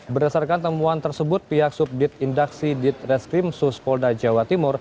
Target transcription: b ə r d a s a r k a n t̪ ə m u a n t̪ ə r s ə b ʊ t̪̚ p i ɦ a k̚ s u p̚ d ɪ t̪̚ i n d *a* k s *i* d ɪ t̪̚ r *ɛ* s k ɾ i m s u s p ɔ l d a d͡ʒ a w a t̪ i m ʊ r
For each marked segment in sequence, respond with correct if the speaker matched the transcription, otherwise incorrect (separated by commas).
correct, correct, correct